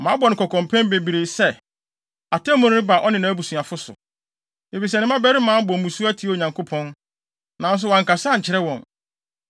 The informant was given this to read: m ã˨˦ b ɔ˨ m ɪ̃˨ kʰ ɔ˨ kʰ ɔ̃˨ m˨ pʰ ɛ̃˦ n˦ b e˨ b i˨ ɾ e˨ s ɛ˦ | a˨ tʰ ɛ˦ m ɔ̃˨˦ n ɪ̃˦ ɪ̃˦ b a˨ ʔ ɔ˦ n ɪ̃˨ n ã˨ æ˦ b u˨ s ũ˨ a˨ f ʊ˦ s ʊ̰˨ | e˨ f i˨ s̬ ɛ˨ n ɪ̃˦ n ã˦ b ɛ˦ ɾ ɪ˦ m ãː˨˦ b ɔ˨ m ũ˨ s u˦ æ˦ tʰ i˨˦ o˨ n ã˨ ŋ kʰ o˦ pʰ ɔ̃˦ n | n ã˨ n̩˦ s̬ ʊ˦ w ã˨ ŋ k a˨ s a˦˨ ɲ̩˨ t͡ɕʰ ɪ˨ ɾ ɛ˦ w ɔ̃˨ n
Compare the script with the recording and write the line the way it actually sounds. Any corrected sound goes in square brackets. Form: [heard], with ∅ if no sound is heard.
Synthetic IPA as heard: m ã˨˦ b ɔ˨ [n] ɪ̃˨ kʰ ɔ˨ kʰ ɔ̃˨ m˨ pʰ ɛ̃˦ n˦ b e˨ b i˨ ɾ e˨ s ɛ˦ | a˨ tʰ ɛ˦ m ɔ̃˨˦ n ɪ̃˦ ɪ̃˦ b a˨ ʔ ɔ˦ n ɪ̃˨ n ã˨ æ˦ b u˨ s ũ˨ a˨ f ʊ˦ s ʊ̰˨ | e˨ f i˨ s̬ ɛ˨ n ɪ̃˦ [m] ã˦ b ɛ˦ ɾ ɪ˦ m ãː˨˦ b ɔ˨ m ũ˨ s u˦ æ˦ tʰ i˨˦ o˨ [ɲ] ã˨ ŋ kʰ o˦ pʰ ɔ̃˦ n | n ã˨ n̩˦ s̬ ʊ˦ w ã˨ ŋ k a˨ s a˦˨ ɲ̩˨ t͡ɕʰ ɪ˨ ɾ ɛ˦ w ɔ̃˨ n